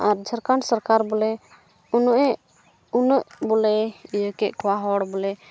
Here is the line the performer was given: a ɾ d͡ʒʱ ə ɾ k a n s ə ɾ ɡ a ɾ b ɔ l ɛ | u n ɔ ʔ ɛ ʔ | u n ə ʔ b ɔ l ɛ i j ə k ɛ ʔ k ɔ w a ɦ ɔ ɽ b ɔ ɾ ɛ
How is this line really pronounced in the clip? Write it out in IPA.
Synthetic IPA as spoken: a ɾ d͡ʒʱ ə ɾ k a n s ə ɾ k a ɾ b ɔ l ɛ | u n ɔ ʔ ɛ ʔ | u n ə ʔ b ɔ l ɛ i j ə k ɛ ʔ k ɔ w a ɦ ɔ ɽ b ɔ l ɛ